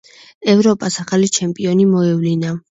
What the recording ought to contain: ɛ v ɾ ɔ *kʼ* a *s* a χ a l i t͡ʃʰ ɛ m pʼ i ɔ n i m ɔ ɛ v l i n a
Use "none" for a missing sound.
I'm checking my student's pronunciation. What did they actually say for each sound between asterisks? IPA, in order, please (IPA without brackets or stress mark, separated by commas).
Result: pʼ, s